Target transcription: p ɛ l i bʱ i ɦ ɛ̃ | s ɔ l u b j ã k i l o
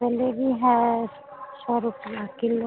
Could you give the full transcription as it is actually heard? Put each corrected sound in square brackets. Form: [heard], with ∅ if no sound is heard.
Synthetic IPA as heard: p ɛ l [e] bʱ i ɦ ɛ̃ | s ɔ [ɾ] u [p] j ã k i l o